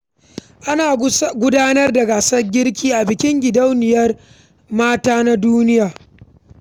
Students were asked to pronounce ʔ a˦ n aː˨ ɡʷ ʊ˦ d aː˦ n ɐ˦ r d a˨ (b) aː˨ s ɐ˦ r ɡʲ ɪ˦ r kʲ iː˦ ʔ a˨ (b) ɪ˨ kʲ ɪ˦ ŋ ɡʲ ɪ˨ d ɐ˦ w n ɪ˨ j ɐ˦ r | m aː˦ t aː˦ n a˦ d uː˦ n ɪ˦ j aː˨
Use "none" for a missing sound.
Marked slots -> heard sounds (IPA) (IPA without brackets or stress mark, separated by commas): ɡ, b